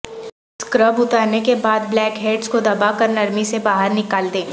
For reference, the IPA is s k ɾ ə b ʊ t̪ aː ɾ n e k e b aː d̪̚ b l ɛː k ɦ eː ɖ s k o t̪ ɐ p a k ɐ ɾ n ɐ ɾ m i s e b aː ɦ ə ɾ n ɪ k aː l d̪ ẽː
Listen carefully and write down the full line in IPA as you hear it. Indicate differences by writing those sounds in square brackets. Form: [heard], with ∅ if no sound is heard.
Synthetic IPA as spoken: s k ɾ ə b ʊ t̪ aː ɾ n e k e b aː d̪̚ b l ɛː k ɦ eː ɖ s k o [d̪] ɐ [b] a k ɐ ɾ n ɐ ɾ m i s e b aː ɦ ə ɾ n ɪ k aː l d̪ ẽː